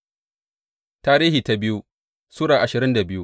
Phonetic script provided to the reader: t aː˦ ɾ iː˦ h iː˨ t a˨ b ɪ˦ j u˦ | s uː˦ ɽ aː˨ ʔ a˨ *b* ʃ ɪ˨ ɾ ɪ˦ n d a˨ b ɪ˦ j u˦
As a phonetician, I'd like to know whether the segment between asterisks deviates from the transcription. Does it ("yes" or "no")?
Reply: yes